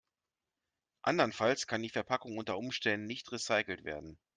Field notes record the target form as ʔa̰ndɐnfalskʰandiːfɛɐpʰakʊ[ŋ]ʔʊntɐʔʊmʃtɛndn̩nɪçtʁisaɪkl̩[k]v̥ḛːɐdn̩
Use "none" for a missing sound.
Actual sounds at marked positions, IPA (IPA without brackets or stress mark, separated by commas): ŋ, t